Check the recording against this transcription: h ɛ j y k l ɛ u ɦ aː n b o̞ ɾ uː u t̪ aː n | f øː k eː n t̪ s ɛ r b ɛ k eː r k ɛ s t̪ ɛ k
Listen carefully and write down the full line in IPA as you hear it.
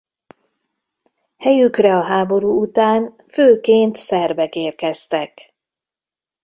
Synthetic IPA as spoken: h ɛ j y k r ɛ ɒ ɦ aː b o̞ ɾ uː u t̪ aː n | f øː k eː n t̪ s ɛ r b ɛ k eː r k ɛ s t̪ ɛ k